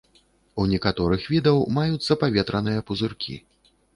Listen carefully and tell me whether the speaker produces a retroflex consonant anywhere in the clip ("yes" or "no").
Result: no